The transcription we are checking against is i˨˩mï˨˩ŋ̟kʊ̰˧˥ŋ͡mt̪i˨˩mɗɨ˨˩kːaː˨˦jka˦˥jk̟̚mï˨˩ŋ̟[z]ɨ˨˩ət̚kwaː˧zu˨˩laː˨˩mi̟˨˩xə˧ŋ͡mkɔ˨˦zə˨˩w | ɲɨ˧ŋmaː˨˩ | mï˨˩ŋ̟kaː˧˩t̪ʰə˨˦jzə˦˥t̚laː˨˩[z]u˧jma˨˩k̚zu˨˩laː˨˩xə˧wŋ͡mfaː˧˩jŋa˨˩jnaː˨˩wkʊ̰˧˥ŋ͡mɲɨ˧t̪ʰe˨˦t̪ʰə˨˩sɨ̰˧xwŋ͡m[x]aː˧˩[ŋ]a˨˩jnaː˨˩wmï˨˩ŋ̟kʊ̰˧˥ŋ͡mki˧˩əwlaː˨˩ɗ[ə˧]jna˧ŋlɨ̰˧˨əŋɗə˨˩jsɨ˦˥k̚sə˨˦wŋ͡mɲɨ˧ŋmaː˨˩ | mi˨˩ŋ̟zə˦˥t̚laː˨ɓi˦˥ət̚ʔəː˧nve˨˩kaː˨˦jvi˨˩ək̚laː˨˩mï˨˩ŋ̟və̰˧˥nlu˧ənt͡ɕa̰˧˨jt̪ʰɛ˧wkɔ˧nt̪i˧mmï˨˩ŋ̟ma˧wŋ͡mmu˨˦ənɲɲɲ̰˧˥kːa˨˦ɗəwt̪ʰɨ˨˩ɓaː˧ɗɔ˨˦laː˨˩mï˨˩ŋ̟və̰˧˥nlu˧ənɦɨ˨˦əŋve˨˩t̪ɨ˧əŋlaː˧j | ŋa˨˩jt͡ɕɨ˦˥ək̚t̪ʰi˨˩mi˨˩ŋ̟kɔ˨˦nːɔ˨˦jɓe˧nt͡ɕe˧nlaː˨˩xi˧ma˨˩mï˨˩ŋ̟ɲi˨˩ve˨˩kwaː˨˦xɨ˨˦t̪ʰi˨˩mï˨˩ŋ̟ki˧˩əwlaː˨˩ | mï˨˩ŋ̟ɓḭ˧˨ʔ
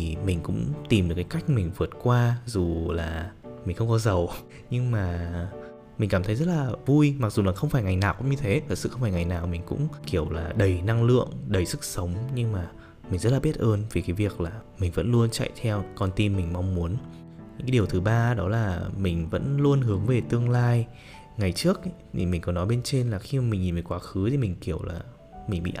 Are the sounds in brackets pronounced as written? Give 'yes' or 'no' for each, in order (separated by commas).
no, no, no, yes, no